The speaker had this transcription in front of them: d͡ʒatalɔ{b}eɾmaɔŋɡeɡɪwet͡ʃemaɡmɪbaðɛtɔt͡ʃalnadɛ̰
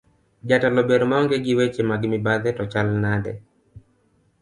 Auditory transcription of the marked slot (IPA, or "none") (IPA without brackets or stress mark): b